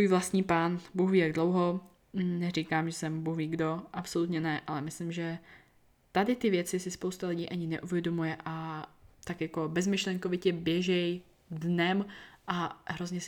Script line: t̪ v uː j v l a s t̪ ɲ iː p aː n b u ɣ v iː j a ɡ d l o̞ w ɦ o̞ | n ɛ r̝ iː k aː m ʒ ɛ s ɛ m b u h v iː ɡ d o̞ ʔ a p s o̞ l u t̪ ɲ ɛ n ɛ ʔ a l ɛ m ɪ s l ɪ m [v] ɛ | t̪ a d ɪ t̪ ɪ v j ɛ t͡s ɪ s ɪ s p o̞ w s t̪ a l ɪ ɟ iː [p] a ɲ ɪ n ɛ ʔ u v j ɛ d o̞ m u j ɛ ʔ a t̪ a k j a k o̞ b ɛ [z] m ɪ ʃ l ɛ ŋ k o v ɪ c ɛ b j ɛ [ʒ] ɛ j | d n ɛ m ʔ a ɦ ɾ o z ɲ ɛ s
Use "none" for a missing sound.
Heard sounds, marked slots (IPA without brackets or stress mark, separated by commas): ʒ, ʔ, z, ʒ